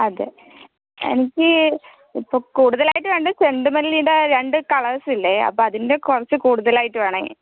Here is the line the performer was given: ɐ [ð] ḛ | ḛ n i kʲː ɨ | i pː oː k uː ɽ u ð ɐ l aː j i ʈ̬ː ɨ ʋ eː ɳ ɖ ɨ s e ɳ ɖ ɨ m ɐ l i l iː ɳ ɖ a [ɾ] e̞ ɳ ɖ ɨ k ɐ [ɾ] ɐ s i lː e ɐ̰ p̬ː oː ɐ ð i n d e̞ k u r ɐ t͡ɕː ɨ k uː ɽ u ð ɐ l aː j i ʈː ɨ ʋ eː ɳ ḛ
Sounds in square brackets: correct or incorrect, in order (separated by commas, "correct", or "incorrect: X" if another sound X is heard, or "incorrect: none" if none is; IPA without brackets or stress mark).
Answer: correct, correct, incorrect: ɭ